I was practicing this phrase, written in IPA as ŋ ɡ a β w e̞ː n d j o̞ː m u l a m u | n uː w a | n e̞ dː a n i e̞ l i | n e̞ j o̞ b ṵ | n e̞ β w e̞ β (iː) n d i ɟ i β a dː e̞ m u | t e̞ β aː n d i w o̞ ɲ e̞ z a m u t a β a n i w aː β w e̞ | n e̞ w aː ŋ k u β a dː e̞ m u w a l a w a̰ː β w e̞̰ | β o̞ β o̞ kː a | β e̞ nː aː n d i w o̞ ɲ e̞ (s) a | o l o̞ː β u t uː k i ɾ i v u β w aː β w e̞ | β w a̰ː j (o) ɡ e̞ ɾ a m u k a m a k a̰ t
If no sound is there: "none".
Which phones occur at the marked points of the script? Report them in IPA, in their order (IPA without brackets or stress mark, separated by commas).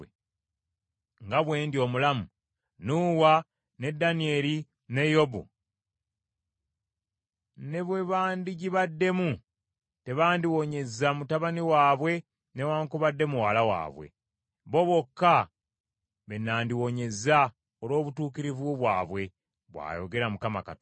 aː, z, o